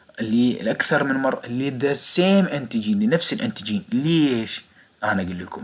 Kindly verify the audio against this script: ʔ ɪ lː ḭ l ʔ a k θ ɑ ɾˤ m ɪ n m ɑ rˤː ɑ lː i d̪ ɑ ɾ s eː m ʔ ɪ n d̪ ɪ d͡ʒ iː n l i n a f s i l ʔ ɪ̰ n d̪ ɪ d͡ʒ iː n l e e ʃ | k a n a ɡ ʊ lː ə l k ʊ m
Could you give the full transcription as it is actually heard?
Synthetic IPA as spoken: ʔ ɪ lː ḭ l ʔ a k θ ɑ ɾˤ m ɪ n m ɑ rˤː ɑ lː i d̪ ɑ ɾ s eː m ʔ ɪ n t̪ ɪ d͡ʒ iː n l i n a f s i l ʔ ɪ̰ n t̪ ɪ d͡ʒ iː n l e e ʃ | ʔ a n a ɡ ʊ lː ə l k ʊ m